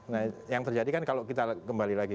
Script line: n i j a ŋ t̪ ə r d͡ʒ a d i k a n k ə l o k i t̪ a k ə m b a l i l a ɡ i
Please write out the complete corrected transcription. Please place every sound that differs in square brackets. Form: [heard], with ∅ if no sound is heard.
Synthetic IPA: n [a] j a ŋ t̪ ə r d͡ʒ a d i k a n k [a] l o k i t̪ a k ə m b a l i l a ɡ i